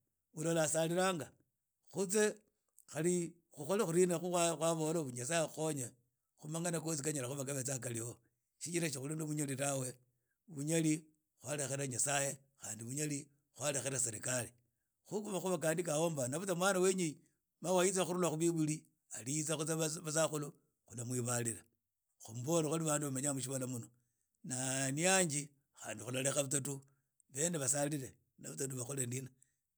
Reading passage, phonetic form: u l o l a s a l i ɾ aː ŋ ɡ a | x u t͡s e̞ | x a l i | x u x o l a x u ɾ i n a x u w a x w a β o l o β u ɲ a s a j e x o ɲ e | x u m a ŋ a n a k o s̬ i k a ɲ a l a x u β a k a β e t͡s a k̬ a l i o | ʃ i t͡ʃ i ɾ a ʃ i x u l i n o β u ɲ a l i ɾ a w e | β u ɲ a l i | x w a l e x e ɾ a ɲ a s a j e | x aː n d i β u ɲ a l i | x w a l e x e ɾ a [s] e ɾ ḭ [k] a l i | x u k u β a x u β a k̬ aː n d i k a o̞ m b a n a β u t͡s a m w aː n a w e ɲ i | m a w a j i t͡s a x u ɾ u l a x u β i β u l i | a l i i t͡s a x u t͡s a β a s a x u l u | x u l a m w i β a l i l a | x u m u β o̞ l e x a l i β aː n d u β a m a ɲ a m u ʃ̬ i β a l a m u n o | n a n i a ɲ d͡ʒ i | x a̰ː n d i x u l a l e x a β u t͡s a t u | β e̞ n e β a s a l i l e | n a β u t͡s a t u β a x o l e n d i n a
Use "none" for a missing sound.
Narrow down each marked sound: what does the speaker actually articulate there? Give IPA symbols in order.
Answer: s, k

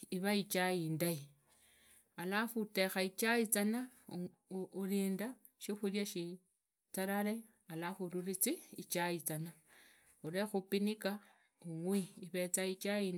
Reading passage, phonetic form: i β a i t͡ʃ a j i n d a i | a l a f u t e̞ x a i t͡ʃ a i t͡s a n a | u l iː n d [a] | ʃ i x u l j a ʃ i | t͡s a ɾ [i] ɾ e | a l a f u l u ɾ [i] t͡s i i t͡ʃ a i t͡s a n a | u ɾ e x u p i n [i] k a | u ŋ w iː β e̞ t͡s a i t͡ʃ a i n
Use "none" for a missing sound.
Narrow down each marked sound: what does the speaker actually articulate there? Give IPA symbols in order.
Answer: a, a, i, i

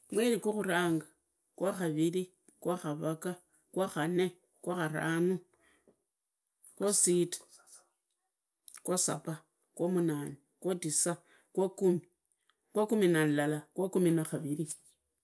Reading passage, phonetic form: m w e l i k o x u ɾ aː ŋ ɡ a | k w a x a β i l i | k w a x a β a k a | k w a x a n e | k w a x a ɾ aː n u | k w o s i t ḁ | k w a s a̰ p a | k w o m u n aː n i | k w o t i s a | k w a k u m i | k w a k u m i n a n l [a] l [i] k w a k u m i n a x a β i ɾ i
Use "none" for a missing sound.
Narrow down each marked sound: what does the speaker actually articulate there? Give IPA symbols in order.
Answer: a, a

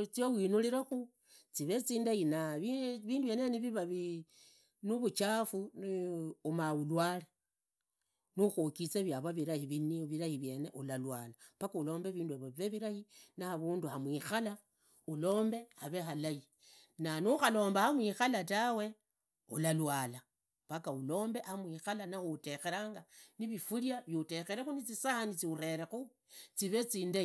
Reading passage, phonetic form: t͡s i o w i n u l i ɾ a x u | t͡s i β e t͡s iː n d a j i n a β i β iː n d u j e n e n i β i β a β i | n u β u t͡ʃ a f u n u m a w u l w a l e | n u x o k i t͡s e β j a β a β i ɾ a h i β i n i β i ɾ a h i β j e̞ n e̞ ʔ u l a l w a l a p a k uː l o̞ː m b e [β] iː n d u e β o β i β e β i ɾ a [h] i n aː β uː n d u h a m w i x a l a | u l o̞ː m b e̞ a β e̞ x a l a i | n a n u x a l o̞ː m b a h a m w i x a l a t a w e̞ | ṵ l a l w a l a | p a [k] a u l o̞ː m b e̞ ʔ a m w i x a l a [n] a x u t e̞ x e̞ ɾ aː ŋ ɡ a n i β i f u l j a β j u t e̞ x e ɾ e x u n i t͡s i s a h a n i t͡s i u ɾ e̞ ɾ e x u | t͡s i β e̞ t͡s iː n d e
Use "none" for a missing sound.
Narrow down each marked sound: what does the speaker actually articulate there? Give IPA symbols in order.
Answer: β, h, k, n

